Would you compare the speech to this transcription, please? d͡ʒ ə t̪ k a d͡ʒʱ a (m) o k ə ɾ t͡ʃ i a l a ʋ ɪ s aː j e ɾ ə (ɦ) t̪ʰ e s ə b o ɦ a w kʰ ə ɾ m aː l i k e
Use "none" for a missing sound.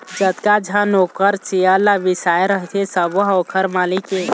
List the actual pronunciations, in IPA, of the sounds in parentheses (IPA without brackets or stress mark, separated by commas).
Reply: n, ɦ